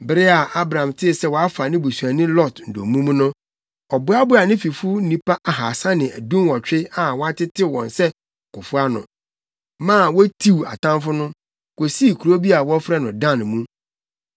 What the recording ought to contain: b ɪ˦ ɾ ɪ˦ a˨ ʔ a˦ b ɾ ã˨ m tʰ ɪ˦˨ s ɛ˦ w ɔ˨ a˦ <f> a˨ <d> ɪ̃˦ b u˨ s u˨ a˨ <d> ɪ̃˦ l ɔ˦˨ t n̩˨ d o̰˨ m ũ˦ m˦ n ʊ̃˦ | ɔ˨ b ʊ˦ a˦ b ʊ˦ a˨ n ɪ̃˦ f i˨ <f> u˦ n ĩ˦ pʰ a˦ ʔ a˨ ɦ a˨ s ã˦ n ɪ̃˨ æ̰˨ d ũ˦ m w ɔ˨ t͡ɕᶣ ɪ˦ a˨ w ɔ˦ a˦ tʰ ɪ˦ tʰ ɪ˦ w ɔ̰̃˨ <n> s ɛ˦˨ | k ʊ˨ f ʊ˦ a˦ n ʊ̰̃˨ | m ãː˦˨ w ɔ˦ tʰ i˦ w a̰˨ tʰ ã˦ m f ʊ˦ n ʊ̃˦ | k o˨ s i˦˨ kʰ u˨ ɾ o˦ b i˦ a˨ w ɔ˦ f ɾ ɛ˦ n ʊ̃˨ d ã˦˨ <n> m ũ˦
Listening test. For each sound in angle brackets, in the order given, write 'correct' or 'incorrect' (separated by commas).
correct, incorrect, incorrect, correct, correct, correct